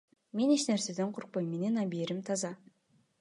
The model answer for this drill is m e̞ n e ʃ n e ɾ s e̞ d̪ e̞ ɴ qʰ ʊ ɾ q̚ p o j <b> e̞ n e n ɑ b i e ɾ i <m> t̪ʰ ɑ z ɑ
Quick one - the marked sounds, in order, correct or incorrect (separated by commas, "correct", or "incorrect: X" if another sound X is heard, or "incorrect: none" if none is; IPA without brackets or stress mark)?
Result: incorrect: m, correct